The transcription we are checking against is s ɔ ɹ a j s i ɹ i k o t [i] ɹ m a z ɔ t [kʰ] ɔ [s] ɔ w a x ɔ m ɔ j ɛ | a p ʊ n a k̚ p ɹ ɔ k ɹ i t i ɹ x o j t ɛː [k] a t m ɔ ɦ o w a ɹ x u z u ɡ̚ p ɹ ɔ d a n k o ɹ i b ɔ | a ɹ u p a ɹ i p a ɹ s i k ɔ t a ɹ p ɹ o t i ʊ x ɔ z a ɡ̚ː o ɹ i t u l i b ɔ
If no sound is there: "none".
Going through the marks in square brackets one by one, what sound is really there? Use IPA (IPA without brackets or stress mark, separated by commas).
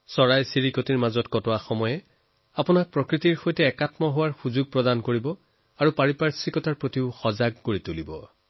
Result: i, k, t, k